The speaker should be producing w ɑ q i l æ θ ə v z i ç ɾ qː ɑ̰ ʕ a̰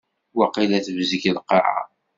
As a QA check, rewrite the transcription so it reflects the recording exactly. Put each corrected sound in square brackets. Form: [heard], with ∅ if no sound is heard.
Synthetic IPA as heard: w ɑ q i l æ θ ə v z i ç [l] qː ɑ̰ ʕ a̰